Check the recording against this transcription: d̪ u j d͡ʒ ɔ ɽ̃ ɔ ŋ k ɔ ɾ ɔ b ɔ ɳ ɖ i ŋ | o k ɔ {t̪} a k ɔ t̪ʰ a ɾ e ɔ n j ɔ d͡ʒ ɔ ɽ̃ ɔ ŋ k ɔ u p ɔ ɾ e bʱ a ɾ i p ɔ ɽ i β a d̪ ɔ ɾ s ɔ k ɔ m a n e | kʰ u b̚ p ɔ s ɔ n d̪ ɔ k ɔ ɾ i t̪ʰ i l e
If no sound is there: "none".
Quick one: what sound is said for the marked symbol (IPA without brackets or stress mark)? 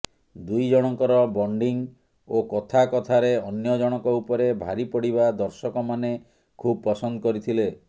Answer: t̪ʰ